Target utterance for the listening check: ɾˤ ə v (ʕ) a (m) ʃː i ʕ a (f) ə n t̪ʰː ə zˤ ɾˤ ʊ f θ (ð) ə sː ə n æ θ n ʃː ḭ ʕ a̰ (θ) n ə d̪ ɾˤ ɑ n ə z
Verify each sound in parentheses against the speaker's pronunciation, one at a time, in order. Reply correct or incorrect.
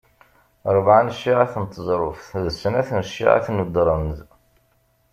correct, incorrect: n, incorrect: θ, correct, correct

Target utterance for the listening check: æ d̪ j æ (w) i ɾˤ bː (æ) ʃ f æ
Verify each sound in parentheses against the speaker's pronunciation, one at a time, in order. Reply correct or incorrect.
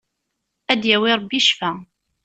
correct, incorrect: i

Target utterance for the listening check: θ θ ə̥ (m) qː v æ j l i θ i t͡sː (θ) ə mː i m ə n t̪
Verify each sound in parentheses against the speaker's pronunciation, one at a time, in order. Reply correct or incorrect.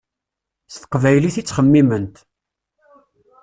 incorrect: none, incorrect: χ

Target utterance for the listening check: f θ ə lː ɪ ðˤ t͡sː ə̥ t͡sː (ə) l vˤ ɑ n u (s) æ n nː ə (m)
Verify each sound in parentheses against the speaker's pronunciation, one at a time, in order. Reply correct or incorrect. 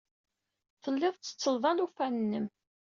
correct, incorrect: f, correct

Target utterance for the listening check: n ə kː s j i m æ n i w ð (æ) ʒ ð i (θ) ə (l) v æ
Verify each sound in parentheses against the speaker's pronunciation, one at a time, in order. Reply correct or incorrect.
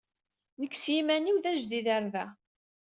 correct, incorrect: ð, incorrect: ɾ

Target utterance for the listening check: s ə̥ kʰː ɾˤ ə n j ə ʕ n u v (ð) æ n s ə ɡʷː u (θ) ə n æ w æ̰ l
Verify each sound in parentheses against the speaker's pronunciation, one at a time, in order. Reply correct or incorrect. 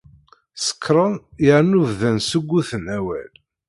correct, correct

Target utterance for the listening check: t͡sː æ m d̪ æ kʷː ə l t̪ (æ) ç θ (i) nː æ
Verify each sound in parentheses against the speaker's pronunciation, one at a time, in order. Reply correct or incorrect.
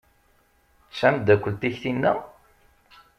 incorrect: i, correct

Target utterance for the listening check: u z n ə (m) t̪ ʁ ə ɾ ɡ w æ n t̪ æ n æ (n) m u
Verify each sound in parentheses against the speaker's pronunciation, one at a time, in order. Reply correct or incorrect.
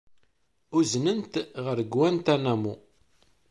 incorrect: n, incorrect: none

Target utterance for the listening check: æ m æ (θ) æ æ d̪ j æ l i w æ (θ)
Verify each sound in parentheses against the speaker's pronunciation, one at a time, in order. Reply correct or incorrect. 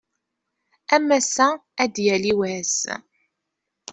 incorrect: s, incorrect: s

